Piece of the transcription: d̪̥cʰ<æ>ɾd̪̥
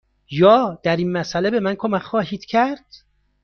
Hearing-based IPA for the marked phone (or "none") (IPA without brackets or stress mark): æ